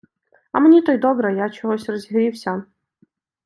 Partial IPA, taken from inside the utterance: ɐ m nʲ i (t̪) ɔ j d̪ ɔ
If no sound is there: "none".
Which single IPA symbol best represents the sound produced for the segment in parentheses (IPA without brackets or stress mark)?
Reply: t̪